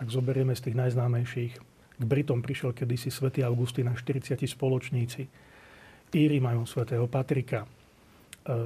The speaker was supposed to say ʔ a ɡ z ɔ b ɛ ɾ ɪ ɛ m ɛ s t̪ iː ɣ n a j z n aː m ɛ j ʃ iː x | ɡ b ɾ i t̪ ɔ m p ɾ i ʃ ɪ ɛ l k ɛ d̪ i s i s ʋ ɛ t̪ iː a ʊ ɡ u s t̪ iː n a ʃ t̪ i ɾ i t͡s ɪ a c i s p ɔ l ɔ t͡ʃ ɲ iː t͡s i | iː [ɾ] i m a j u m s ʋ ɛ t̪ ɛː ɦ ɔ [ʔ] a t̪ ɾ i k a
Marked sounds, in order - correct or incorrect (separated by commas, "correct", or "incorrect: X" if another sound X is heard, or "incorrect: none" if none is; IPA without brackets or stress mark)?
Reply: correct, incorrect: p